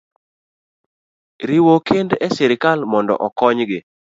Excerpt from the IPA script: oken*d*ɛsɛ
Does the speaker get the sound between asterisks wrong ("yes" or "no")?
no